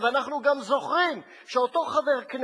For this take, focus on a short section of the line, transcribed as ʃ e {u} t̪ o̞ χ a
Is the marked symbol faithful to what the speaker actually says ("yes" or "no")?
no